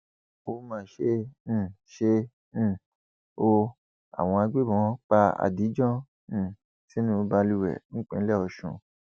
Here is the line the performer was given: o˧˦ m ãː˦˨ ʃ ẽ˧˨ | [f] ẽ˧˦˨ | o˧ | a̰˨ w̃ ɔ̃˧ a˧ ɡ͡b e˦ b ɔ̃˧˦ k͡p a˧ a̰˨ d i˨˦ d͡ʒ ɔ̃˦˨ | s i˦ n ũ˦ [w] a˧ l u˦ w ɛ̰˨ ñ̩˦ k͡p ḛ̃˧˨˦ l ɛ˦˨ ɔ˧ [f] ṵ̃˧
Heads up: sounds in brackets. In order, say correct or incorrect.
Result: incorrect: ʃ, incorrect: b, incorrect: ʃ

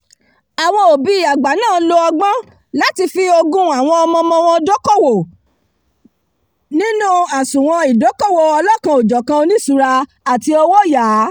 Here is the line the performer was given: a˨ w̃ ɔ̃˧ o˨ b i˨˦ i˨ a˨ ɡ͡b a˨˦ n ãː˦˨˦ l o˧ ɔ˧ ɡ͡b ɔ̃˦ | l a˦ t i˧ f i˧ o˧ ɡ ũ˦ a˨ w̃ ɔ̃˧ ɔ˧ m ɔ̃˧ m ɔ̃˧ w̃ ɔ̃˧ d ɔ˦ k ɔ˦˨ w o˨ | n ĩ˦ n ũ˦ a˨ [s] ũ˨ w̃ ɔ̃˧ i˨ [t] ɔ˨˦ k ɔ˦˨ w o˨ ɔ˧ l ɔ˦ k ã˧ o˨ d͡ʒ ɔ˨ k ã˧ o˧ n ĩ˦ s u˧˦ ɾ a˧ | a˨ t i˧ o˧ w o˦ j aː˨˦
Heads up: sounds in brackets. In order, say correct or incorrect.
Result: correct, incorrect: d

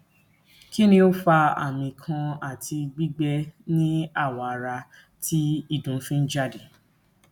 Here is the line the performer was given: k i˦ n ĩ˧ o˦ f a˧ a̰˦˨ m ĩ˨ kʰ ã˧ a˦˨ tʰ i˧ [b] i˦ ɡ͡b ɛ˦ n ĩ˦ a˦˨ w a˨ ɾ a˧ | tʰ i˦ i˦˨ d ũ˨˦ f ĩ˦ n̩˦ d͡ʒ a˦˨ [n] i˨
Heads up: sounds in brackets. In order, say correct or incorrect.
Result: incorrect: ɡ͡b, incorrect: d

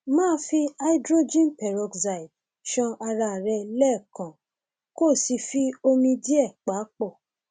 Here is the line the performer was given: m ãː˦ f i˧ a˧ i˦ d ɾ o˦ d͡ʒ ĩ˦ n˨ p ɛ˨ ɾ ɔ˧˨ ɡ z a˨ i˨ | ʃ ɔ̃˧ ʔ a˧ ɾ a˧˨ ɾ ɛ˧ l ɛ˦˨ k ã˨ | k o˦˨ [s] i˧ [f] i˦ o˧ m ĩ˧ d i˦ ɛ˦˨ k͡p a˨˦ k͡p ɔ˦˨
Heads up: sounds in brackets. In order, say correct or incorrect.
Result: correct, correct

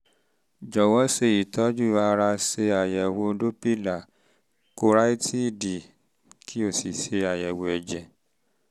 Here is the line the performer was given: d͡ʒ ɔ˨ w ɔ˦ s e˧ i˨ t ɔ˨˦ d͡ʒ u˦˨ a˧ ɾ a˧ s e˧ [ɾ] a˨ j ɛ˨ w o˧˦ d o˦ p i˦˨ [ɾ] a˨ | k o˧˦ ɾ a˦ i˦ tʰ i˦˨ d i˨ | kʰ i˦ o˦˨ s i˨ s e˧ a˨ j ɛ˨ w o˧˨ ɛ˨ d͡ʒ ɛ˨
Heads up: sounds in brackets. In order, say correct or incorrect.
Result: incorrect: none, incorrect: l

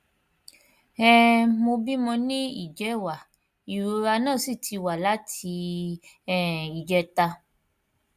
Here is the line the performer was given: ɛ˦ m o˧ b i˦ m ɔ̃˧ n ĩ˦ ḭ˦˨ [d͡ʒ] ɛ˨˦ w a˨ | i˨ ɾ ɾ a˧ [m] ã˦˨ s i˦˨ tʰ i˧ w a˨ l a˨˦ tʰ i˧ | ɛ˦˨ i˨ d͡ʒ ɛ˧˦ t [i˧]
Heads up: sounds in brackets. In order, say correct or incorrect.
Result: correct, incorrect: n, incorrect: a˧

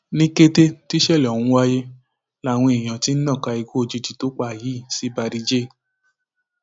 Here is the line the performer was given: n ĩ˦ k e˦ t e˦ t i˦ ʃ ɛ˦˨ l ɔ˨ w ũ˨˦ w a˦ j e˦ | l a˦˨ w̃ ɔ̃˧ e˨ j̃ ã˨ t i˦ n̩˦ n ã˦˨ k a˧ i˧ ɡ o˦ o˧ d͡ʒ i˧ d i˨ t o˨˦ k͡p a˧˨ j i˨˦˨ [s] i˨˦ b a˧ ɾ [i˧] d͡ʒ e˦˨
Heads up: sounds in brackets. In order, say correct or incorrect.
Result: correct, correct

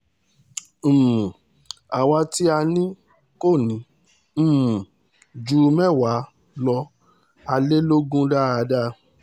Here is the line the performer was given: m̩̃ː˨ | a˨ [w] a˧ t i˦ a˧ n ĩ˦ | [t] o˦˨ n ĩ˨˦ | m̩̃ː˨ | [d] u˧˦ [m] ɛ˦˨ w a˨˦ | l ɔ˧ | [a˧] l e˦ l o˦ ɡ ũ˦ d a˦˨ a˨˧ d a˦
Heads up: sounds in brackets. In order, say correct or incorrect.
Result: correct, incorrect: k, incorrect: d͡ʒ, correct, correct

